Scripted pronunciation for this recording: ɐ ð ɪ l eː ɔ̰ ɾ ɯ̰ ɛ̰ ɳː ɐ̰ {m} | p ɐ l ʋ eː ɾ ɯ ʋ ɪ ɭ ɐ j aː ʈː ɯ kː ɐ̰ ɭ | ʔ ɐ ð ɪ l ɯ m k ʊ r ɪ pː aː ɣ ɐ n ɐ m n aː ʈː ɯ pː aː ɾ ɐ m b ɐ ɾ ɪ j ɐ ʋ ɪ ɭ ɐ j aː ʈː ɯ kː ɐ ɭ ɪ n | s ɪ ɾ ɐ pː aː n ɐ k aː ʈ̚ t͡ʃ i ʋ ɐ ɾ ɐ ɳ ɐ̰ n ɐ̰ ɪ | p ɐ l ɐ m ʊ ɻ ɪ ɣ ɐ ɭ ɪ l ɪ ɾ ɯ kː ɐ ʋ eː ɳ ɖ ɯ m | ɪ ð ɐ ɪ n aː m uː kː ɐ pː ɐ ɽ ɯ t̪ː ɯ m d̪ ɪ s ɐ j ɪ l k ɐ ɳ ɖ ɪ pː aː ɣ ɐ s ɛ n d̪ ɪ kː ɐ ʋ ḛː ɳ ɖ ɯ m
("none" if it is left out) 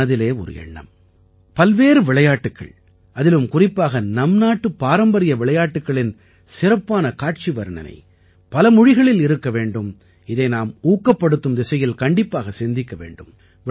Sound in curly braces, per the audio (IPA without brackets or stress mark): m